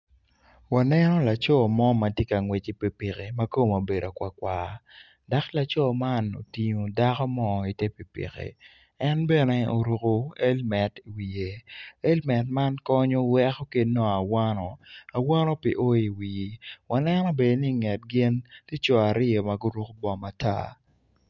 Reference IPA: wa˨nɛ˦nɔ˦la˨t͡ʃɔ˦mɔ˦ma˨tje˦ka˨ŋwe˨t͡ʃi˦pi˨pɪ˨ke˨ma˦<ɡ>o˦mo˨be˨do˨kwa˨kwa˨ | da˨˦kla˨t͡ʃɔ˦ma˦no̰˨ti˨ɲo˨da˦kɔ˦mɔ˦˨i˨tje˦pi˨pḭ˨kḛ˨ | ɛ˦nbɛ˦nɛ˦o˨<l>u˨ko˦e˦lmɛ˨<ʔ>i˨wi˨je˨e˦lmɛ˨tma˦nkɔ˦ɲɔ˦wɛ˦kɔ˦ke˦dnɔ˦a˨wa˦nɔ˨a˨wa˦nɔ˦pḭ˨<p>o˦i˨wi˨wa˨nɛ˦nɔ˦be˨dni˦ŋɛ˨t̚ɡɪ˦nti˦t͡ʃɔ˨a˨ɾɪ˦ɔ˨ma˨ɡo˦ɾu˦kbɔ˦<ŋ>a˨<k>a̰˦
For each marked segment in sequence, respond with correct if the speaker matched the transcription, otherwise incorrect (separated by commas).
incorrect, incorrect, incorrect, incorrect, incorrect, incorrect